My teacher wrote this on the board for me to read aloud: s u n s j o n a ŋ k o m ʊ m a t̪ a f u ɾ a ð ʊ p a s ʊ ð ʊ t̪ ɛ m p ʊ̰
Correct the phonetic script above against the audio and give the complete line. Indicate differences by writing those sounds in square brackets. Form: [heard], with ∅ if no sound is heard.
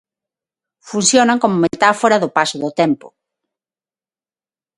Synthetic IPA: [f] u n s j o n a ŋ k o m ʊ m [e] t̪ a f [o] ɾ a ð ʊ p a s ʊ ð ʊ t̪ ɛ m p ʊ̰

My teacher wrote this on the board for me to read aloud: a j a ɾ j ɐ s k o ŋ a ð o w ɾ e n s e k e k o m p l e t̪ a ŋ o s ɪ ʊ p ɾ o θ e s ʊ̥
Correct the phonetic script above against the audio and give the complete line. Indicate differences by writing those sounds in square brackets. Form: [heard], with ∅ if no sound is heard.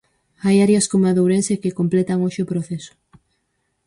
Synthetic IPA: a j a ɾ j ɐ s k o [m] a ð o w ɾ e n s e k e k o m p l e t̪ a ŋ o [ʃ] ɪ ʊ p ɾ o θ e s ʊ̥

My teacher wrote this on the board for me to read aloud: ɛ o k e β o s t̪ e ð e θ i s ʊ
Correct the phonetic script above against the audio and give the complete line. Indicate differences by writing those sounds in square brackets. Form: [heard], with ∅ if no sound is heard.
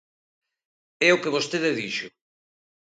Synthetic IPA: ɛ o k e β o s t̪ e ð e [ð] i [ʃ] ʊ

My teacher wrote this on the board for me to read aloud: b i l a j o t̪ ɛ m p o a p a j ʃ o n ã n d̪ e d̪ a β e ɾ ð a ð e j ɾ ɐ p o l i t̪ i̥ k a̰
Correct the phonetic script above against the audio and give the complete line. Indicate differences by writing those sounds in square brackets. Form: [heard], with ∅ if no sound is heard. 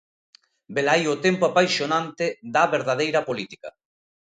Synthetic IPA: b [e] l a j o t̪ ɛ m p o a p a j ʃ o n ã n [t̪] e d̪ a β e ɾ ð a ð e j ɾ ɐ p o l i t̪ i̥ k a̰

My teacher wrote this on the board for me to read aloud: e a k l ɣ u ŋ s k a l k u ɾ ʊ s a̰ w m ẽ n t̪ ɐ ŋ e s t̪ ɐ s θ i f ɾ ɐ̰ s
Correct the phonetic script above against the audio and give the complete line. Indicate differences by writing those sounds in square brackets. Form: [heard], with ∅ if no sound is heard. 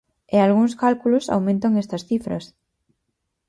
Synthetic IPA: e a [∅] l ɣ u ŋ s k a l k u [l] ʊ s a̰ w m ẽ n t̪ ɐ ŋ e s t̪ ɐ s θ i f ɾ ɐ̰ s

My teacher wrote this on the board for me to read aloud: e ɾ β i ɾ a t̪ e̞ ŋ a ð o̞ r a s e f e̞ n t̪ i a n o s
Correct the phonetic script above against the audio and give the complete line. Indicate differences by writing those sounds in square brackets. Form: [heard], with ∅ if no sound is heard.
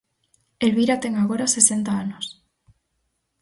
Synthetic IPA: e [l] β i ɾ a t̪ e̞ ŋ a [ɣ] o̞ [ɾ] a s e [s] e̞ n t̪ [a] a n o s

